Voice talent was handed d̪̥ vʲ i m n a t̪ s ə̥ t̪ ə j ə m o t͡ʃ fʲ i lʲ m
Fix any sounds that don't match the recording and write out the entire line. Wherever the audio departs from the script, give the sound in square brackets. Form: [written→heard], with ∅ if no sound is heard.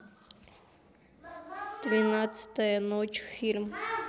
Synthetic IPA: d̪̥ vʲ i [m→∅] n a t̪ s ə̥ t̪ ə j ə [m→n] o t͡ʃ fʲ i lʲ m